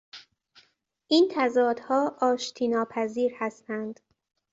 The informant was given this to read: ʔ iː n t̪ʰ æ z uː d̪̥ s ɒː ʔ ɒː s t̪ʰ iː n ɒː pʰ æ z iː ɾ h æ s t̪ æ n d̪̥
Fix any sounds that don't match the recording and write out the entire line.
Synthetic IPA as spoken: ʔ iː n t̪ʰ æ z ɒː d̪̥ h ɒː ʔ ɒː ʃ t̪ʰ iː n ɒː pʰ æ z iː ɾ h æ s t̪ æ n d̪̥

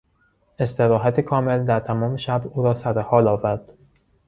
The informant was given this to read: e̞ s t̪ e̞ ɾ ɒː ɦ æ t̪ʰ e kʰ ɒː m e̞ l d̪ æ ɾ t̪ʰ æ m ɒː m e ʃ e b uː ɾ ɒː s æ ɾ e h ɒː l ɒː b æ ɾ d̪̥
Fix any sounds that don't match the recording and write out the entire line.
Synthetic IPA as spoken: e̞ s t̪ e̞ ɾ ɒː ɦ æ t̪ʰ e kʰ ɒː m e̞ l d̪ æ ɾ t̪ʰ æ m ɒː m e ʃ æ b uː ɾ ɒː s æ ɾ e h ɒː l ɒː v æ ɾ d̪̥

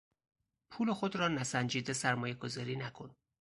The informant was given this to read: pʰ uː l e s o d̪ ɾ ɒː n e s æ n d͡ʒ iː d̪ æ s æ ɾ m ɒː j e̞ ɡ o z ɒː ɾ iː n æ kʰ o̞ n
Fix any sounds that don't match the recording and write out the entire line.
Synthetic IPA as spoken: pʰ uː l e x o d̪ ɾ ɒː n æ s æ n d͡ʒ iː d̪ e s æ ɾ m ɒː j e̞ ɡ o z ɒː ɾ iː n æ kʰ o̞ n

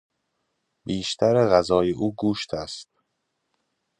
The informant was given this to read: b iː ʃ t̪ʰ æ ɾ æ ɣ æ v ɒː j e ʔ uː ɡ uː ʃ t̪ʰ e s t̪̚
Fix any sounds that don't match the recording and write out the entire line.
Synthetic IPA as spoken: b iː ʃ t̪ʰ æ ɾ e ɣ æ z ɒː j e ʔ uː ɡ uː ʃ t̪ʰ æ s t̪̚

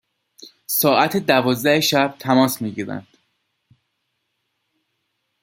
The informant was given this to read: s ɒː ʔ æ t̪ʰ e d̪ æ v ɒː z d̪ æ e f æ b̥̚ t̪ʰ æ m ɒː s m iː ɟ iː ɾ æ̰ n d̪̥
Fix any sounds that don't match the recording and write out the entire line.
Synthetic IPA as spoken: s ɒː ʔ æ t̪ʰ e d̪ æ v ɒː z d̪ æ e ʃ æ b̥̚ t̪ʰ æ m ɒː s m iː ɟ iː ɾ æ̰ n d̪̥

